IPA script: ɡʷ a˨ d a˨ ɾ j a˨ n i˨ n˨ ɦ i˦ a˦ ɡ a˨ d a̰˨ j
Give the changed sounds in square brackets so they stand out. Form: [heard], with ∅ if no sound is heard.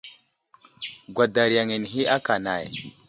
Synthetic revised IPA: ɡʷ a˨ d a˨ ɾ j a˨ [ŋ] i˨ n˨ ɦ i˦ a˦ [k] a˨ [n] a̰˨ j